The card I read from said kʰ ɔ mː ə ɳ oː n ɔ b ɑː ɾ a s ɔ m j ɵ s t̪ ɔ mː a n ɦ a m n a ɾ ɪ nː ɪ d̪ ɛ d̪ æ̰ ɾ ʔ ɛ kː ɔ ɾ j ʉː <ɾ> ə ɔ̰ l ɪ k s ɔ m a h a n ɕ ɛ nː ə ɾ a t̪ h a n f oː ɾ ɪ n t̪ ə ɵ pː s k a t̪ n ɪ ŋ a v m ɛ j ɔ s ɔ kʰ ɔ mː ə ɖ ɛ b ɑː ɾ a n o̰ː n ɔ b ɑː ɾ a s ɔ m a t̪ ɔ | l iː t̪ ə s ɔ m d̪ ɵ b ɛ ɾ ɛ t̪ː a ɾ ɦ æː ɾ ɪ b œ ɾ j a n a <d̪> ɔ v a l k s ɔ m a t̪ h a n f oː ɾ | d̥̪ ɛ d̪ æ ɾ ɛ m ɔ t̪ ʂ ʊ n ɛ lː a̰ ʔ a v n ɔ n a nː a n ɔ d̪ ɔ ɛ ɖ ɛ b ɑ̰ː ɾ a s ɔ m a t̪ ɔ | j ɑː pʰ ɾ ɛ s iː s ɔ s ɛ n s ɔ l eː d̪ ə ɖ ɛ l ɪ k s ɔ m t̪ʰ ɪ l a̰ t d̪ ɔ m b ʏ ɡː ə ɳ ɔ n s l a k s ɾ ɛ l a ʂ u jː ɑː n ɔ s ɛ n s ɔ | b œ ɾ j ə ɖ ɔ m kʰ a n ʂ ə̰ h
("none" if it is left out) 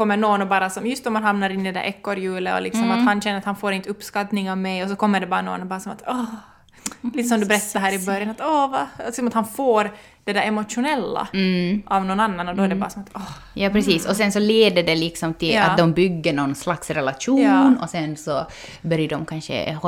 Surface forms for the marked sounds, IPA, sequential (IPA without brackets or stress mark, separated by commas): l, t̪